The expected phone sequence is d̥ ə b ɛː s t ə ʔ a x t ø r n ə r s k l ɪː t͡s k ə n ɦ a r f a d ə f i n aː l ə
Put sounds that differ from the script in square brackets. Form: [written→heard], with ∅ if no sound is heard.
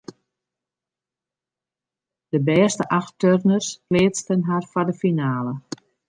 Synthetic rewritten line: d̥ ə b ɛː s t ə ʔ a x t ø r n ə r s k l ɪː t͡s [k→t] ə n ɦ a r f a d ə f i n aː l ə